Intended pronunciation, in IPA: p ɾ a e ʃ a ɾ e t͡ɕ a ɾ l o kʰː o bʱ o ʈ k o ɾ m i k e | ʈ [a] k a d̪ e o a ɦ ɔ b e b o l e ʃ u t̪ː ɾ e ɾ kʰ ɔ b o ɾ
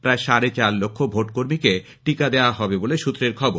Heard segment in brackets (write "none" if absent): i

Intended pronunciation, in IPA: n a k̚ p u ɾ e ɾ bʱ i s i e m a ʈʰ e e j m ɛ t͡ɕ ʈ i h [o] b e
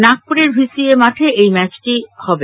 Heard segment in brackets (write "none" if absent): ɔ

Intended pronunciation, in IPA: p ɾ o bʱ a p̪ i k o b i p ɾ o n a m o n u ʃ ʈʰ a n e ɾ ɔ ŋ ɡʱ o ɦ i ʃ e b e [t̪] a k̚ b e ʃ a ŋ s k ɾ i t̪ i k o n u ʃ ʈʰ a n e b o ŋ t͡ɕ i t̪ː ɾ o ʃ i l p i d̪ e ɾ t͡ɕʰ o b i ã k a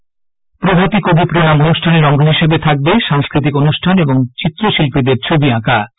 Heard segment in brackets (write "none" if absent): t̪ʰ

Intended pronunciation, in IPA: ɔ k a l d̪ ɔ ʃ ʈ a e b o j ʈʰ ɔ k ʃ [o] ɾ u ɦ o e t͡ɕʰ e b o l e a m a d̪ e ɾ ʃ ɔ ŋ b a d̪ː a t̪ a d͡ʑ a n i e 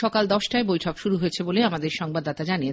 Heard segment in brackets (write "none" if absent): u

